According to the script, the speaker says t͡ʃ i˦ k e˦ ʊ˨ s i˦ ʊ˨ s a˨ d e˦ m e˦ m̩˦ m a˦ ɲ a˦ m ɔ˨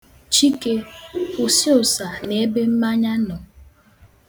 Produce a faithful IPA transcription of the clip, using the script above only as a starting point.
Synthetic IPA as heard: t͡ʃ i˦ k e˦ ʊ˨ s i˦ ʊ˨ s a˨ n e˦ b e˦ m̩˦ m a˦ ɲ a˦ n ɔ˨